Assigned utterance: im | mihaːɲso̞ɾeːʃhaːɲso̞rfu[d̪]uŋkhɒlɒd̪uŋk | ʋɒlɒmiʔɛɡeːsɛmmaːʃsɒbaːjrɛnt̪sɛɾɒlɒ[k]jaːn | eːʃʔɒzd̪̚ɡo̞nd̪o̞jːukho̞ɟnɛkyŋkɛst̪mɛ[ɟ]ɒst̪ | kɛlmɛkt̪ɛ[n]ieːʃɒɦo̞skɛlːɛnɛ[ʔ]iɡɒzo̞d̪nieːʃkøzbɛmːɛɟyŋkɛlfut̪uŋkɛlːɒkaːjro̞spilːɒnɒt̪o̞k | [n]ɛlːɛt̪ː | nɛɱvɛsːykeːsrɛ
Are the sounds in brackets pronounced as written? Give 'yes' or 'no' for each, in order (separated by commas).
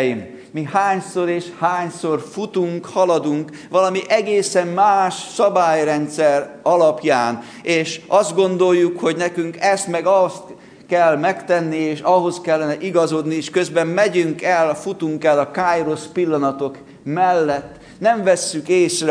no, no, no, no, yes, no